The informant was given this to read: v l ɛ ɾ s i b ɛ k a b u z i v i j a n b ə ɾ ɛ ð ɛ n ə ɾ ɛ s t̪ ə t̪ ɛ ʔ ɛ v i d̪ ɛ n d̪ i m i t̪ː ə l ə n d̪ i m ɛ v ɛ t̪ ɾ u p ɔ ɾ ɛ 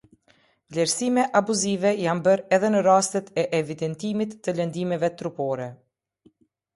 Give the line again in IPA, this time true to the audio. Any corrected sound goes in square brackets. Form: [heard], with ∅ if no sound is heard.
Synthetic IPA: v l ɛ ɾ s i [m] ɛ [ʔ] a b u z i v [ɛ] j a n b ə ɾ ɛ ð ɛ n ə ɾ [a] s t̪ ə t̪ ɛ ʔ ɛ v i d̪ ɛ n [t̪] i m i t̪ː ə l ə n d̪ i m ɛ v ɛ t̪ ɾ u p ɔ ɾ ɛ